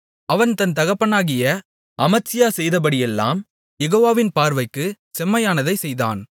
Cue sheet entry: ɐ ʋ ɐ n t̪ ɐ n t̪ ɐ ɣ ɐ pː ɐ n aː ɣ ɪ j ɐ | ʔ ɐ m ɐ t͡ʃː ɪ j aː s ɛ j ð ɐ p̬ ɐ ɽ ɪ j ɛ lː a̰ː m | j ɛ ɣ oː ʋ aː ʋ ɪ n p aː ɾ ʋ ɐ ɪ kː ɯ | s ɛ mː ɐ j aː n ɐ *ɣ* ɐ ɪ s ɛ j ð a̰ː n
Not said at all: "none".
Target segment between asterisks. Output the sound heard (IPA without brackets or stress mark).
ð